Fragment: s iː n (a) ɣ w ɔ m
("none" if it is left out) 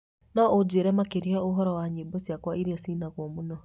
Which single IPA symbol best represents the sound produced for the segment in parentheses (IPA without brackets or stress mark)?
a